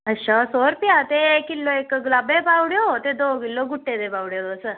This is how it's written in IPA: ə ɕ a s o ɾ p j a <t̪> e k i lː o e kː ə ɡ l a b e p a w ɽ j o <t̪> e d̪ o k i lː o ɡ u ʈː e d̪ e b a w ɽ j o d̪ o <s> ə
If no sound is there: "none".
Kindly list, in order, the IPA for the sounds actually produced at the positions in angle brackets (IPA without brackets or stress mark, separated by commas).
t̪, t̪, s